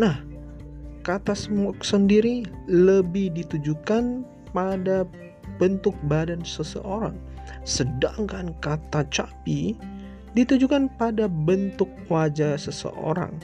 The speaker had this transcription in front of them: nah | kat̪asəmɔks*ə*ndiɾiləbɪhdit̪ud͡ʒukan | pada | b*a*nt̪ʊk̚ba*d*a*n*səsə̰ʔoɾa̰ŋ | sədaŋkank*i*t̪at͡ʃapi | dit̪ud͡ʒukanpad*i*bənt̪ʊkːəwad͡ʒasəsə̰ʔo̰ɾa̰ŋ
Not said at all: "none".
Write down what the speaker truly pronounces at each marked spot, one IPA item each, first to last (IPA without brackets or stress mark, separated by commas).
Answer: ə, ə, d, n, a, a